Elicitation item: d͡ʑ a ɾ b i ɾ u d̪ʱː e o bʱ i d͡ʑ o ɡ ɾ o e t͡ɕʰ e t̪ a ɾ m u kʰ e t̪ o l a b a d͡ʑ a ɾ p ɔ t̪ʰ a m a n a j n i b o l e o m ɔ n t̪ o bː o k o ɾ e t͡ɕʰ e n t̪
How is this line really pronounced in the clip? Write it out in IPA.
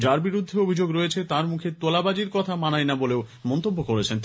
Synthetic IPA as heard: d͡ʑ a ɾ b i ɾ u d̪ʱː e o bʱ i d͡ʑ o ɡ ɾ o e t͡ɕʰ e t̪ a ɾ m u kʰ e t̪ o l a b a d͡ʑ i ɾ k ɔ t̪ʰ a m a n a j n a b o l e o m ɔ n t̪ o bː o k o ɾ e t͡ɕʰ e n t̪